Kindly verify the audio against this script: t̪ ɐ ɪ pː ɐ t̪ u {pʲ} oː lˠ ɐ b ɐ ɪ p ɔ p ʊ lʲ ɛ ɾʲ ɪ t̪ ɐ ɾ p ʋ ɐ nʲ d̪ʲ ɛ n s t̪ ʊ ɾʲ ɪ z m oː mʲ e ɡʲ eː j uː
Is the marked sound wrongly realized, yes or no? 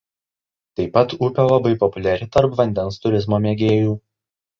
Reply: no